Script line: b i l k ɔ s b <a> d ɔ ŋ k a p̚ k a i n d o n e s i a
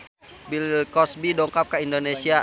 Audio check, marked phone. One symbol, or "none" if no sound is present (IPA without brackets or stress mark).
i